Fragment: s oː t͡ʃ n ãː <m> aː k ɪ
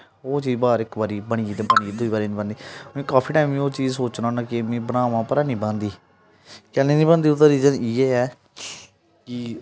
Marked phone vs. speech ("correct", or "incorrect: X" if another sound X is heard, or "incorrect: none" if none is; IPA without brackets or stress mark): incorrect: n